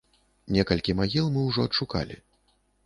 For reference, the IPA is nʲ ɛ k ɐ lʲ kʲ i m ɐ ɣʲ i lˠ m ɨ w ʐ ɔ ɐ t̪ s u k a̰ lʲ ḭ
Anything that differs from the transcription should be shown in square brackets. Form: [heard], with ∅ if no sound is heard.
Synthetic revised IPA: nʲ ɛ k ɐ lʲ kʲ i m [a] ɣʲ i lˠ m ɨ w ʐ ɔ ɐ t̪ [ʂ] u k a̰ lʲ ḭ